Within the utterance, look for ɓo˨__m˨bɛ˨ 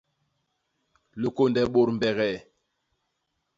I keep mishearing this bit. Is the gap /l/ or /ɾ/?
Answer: ɾ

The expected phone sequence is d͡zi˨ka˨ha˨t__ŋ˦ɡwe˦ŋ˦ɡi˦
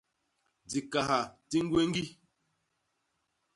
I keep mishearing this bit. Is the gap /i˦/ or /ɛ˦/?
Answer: i˦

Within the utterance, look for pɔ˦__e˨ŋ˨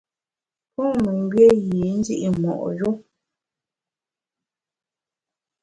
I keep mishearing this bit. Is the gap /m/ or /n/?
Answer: m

